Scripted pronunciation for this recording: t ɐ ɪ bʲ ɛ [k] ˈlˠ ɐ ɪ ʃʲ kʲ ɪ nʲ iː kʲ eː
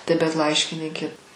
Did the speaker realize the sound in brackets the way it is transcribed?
no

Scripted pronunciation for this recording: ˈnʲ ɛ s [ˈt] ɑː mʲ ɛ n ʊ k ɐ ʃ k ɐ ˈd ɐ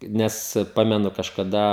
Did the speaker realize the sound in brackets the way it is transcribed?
no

